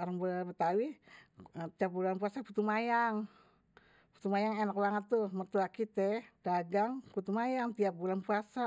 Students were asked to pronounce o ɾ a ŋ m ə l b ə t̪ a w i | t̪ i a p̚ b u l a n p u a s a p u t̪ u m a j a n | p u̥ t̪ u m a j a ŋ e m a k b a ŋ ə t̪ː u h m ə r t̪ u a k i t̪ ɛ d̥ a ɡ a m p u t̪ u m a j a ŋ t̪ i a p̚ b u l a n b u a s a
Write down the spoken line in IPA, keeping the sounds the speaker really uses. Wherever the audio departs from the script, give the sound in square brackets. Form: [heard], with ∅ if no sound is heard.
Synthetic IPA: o ɾ a ŋ [b] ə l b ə t̪ a w i | t̪ i a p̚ b u l a n p u a s a p u t̪ u m a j a [ŋ] | p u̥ t̪ u m a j a ŋ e [n] a k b a ŋ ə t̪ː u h m ə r t̪ u a k i t̪ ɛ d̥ a ɡ a [ŋ] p u t̪ u m a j a ŋ t̪ i a p̚ b u l a n [p] u a s a